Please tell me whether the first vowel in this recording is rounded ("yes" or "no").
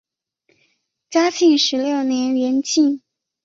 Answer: no